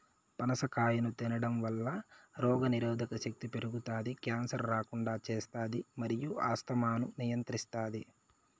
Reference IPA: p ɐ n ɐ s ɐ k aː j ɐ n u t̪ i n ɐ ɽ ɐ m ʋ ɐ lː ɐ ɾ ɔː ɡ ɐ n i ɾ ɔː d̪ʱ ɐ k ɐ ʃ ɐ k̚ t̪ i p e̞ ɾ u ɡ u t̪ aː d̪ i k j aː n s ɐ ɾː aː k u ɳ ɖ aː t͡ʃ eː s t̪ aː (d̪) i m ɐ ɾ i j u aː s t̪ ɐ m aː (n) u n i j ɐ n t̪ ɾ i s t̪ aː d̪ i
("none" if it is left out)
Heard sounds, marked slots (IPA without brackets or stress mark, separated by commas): d̪, n